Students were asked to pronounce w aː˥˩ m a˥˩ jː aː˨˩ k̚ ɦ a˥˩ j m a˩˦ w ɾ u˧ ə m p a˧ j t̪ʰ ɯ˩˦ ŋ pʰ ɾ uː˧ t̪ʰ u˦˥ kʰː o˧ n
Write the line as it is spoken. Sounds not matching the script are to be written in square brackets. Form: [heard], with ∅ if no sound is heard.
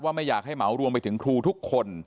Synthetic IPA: w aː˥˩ m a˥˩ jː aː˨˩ k̚ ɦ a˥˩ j m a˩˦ w ɾ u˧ ə m p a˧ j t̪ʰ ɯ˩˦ ŋ [kʰ] ɾ uː˧ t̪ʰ u˦˥ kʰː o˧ n